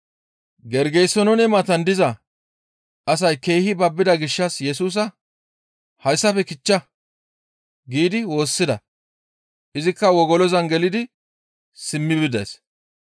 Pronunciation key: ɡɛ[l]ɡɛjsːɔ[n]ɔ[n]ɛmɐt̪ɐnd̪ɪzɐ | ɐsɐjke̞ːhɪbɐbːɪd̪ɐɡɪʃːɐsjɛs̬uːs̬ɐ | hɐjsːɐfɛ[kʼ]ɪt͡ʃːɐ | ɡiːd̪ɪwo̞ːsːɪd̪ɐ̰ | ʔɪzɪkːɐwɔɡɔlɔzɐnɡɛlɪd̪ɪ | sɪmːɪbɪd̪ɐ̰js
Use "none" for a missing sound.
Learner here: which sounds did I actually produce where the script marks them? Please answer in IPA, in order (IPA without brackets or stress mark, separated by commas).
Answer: ɾ, n, n, k